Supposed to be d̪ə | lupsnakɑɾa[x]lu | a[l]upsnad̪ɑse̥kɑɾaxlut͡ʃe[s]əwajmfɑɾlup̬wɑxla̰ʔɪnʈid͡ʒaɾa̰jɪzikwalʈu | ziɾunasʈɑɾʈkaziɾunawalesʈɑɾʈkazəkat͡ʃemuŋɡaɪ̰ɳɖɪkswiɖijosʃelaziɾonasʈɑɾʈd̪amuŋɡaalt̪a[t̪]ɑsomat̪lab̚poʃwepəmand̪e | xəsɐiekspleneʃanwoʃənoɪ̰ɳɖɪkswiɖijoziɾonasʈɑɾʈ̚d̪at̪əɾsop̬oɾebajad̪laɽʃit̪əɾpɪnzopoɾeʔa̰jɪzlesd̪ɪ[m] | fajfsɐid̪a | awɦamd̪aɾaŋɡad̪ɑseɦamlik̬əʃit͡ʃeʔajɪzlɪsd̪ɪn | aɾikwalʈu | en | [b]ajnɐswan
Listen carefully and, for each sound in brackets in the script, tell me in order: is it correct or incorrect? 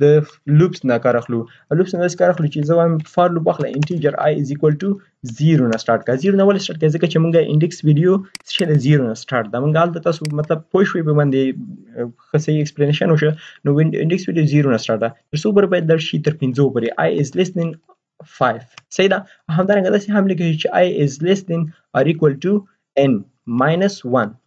correct, correct, incorrect, correct, incorrect, incorrect

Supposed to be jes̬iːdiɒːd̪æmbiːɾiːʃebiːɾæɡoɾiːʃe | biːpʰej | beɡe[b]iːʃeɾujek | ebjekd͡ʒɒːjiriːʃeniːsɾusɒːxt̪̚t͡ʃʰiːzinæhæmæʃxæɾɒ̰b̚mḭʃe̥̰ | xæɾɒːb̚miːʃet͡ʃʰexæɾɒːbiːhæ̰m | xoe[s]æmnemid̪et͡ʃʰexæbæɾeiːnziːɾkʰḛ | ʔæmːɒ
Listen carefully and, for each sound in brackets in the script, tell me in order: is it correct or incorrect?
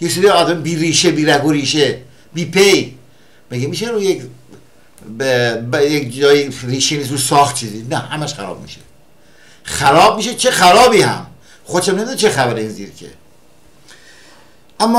incorrect, incorrect

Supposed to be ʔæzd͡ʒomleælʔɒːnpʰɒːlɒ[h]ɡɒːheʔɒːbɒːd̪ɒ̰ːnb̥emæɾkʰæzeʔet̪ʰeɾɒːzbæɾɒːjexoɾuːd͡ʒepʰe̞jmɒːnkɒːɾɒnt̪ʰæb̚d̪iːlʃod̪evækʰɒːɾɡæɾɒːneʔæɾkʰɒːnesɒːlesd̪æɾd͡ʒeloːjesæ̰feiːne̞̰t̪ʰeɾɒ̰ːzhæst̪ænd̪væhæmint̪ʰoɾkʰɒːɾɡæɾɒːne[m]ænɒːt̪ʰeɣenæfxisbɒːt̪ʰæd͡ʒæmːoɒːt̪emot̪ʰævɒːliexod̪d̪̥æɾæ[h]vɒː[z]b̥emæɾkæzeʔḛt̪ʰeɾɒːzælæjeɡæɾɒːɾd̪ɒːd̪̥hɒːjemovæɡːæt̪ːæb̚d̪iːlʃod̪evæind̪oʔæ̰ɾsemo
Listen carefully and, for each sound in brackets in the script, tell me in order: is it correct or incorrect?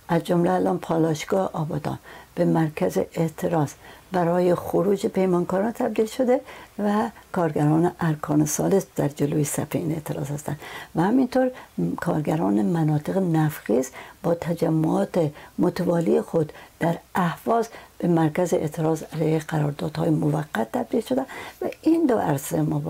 incorrect, correct, correct, correct

